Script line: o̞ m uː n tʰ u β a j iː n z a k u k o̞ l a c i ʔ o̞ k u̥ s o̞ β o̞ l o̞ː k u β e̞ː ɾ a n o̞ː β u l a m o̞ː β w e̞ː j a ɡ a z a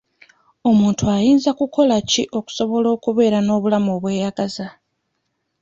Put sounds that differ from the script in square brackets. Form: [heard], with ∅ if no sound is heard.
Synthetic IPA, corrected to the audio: o̞ m uː n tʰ u [∅] a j iː n z a k u k o̞ l a c i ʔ o̞ k u̥ s o̞ β o̞ l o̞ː k u β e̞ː ɾ a n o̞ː β u l a m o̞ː β w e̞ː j a ɡ a z a